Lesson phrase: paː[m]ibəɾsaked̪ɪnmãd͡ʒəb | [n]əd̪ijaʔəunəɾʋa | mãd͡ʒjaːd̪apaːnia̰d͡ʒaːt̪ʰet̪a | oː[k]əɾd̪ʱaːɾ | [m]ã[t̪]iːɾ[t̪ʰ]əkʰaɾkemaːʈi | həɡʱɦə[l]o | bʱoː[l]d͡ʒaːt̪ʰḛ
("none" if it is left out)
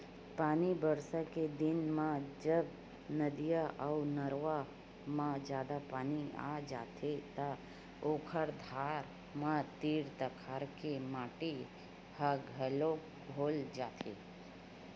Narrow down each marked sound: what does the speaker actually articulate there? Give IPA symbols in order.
n, n, kʰ, m, t̪, t̪, l, l

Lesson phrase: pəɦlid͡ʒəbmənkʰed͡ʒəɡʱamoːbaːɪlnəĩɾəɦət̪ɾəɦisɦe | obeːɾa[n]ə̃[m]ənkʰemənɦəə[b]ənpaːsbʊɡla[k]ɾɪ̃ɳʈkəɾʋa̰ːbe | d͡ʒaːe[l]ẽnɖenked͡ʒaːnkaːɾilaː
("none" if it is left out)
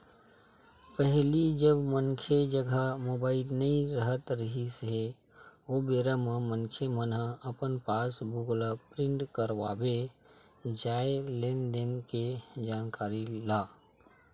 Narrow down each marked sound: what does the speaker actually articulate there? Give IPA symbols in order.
m, m, p, p, l

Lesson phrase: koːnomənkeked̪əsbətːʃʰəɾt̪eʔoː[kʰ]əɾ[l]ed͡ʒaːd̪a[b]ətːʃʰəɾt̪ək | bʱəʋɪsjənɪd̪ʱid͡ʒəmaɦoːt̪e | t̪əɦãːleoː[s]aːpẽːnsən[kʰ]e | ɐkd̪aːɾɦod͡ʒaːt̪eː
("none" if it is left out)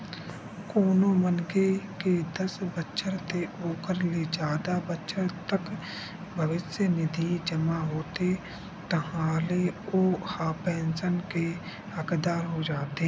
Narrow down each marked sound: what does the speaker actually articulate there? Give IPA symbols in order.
k, l, b, h, k

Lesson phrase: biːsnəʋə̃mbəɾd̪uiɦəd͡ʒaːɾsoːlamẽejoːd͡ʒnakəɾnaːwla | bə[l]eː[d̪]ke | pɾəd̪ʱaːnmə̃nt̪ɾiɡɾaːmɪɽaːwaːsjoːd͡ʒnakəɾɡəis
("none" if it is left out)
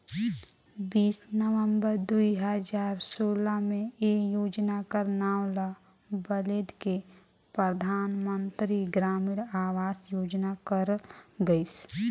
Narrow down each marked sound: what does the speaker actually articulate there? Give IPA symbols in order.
l, d̪

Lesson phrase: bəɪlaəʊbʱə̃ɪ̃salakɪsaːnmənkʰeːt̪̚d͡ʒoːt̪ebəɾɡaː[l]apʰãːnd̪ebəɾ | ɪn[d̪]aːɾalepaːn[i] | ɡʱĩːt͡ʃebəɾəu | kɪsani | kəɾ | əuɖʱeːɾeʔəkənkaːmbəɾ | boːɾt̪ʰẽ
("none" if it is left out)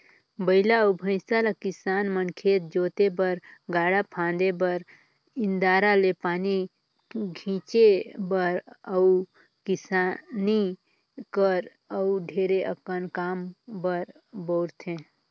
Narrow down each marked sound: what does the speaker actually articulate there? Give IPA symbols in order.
ɽ, d̪, i

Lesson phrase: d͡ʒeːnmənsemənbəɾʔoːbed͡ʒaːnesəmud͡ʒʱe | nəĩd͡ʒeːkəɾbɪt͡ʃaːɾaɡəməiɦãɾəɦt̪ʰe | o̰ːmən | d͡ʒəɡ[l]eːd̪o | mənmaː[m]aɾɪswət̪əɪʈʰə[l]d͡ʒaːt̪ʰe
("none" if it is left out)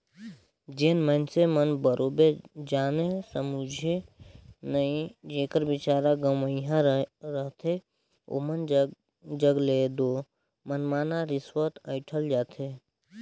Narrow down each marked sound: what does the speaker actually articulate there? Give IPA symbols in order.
l, n, l

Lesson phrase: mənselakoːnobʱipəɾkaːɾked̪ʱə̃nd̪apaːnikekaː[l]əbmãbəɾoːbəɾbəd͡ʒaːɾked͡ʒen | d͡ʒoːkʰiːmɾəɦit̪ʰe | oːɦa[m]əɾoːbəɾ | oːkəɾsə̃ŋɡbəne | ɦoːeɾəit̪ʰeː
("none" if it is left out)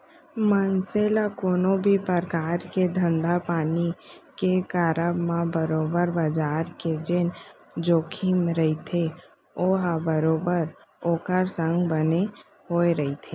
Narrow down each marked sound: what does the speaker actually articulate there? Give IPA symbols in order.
ɾ, b

